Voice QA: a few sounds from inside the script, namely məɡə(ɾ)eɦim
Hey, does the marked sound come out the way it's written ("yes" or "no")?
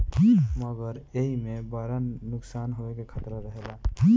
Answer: yes